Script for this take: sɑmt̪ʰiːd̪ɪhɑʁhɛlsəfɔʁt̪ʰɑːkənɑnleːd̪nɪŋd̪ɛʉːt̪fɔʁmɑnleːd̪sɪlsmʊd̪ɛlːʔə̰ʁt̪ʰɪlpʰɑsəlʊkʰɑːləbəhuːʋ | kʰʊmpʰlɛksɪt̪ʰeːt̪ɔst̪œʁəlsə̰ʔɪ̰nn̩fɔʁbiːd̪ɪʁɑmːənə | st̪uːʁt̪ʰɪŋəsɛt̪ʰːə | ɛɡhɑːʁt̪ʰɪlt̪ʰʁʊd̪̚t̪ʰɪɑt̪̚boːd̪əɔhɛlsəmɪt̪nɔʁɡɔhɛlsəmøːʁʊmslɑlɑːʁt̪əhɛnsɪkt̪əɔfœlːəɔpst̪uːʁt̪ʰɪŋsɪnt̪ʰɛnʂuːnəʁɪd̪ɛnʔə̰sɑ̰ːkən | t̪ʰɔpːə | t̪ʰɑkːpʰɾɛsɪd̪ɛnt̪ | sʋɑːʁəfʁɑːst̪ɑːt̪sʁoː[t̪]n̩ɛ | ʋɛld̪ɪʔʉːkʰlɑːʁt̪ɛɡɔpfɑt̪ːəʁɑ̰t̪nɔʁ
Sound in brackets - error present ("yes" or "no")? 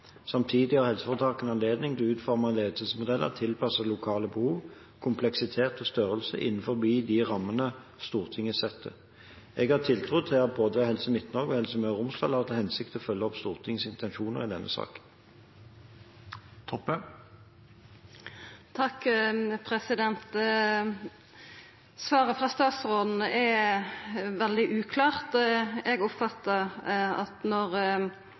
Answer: yes